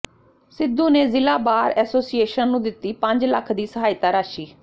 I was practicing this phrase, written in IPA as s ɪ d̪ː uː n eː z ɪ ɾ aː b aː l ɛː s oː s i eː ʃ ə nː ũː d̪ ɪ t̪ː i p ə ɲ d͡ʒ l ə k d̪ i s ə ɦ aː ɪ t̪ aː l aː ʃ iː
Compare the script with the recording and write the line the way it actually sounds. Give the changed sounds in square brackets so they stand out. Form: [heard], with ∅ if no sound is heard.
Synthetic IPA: s ɪ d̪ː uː n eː z ɪ [l] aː b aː [ɾ] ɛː s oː s i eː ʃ ə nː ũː d̪ ɪ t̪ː [iː] p ə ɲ d͡ʒ l ə [kʰ] d̪ [iː] s ə ɦ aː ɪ t̪ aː [ɾ] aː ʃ iː